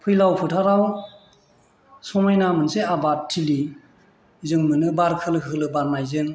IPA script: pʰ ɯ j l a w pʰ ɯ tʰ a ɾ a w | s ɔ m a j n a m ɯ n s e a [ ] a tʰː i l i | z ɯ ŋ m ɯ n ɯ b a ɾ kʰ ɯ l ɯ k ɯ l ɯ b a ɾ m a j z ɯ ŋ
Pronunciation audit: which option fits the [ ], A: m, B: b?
B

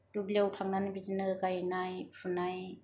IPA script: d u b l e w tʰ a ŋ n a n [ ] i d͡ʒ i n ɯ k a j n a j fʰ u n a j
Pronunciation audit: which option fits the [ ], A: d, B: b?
B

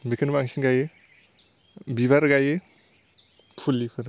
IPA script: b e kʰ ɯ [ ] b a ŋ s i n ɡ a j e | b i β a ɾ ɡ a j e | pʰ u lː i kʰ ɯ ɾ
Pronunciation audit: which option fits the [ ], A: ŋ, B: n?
B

